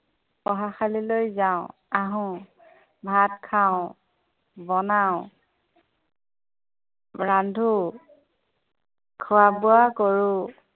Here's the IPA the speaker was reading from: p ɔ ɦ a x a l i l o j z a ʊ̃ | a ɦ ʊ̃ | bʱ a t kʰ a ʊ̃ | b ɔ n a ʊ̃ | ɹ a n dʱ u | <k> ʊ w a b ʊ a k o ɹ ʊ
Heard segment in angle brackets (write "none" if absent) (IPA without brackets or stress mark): kʰ